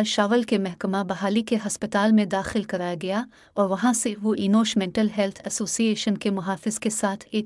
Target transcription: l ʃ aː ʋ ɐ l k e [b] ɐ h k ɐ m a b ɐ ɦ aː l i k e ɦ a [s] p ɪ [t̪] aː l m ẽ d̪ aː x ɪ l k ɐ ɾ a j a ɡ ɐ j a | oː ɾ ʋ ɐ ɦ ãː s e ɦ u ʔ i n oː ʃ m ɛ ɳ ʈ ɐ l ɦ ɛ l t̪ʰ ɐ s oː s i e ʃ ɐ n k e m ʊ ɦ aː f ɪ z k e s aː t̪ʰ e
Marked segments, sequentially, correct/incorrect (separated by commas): incorrect, correct, correct